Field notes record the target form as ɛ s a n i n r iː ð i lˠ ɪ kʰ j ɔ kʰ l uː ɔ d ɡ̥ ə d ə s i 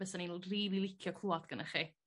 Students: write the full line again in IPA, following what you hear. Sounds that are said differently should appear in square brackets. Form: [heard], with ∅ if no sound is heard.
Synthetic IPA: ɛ s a n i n r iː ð i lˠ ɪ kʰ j ɔ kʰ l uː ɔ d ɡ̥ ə [n] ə [χ] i